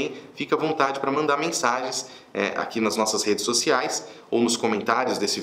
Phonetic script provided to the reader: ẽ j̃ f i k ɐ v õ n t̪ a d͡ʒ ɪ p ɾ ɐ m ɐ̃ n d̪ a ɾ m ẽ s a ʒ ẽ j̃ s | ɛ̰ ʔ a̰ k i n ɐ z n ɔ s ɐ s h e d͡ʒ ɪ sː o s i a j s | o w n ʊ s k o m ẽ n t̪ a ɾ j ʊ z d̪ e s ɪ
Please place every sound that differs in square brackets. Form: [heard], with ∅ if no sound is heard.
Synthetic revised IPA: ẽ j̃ f i k ɐ v õ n t̪ a d͡ʒ ɪ p ɾ ɐ m ɐ̃ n d̪ a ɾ m ẽ s a ʒ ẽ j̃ s | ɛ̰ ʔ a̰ k i n ɐ z n ɔ s ɐ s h e d͡ʒ ɪ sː o s i a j s | o w n ʊ s k o m ẽ n t̪ a ɾ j ʊ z d̪ e s ɪ